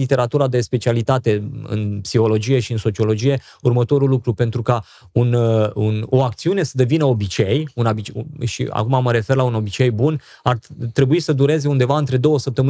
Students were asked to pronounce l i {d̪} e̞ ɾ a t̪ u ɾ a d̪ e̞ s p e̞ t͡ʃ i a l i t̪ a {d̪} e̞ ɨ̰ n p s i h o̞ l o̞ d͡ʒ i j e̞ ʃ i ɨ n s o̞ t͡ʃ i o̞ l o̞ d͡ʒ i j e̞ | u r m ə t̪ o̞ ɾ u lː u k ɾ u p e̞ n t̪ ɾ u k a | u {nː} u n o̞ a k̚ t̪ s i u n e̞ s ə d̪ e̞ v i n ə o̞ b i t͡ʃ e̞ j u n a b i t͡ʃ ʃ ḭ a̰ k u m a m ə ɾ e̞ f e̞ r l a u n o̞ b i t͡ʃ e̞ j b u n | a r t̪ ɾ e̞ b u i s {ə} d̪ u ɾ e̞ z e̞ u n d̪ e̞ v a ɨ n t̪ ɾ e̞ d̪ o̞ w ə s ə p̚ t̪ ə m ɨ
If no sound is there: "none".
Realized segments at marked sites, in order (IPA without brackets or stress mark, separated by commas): t̪, t̪, n, ə